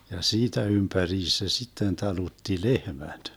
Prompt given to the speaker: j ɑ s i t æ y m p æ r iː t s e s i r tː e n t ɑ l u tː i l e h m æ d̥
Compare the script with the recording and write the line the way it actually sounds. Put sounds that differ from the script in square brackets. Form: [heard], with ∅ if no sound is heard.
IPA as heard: j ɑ s [iː] t æ y m p æ r iː [s] s e s i [∅] tː e n t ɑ l u tː i l e h m æ d̥